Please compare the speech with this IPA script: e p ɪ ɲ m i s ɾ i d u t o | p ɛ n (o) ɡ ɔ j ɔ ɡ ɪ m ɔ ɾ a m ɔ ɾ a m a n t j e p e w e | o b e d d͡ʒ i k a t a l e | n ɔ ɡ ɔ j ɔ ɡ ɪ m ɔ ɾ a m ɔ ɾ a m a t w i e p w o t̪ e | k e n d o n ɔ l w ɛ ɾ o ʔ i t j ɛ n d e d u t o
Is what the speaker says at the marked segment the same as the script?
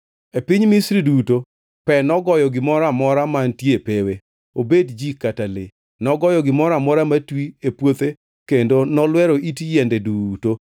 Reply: no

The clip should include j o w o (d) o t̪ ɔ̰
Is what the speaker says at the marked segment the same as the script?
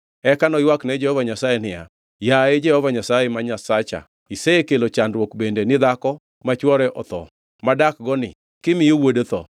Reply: yes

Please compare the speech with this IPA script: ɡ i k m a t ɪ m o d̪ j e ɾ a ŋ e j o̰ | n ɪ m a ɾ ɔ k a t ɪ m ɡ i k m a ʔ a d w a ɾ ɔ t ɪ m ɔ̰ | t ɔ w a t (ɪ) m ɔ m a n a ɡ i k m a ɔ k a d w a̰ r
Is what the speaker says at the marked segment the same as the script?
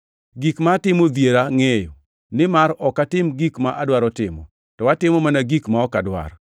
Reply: yes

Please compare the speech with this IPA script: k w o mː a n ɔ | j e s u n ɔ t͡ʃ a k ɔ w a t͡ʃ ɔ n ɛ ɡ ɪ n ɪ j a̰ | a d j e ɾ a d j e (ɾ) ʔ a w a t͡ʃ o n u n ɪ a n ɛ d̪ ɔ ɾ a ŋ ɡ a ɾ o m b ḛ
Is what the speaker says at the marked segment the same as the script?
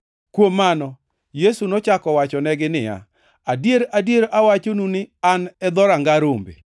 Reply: yes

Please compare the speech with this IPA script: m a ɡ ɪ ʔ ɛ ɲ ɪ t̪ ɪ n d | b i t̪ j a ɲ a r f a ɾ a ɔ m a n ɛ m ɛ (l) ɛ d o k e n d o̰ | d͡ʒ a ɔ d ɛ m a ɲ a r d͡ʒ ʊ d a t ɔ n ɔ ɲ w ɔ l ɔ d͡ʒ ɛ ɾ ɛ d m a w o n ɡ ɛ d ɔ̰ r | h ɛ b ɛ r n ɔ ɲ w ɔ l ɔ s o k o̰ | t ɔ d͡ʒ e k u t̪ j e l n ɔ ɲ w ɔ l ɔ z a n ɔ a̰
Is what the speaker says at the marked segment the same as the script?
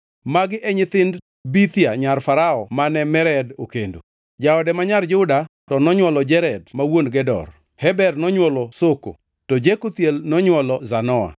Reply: no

